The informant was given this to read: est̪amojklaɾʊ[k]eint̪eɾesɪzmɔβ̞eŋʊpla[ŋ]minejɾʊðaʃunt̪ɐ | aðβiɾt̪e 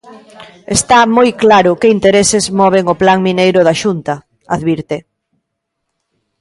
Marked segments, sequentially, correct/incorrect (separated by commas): correct, correct